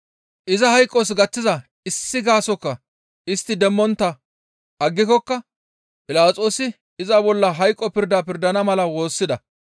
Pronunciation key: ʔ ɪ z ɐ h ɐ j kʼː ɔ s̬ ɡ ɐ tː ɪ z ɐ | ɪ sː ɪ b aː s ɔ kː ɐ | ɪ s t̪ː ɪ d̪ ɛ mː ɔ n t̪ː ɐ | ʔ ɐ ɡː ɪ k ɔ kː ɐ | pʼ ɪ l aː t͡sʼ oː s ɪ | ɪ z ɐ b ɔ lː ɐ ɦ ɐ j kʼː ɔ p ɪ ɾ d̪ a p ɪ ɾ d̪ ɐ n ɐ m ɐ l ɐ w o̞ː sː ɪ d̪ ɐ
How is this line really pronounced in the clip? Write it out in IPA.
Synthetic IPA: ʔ ɪ z ɐ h ɐ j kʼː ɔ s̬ ɡ ɐ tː ɪ z ɐ | ɪ sː ɪ ɡ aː s ɔ kː ɐ | ɪ s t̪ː ɪ d̪ ɛ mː ɔ n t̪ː ɐ | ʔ ɐ ɡː ɪ k ɔ kː ɐ | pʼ ɪ l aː t͡sʼ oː s ɪ | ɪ z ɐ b ɔ lː ɐ ɦ ɐ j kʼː ɔ p ɪ ɾ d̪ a p ɪ ɾ d̪ ɐ n ɐ m ɐ l ɐ w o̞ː sː ɪ d̪ ɐ